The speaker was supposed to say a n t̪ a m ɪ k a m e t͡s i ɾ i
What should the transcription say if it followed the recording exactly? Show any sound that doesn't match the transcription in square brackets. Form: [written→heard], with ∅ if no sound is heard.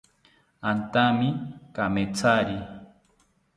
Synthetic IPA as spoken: a n t̪ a m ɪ k a m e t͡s [i→a] ɾ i